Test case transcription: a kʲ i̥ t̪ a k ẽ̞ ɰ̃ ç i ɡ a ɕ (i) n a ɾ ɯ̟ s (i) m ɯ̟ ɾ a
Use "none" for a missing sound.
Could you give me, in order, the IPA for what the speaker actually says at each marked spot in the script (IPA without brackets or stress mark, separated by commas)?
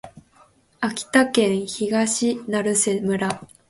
i, e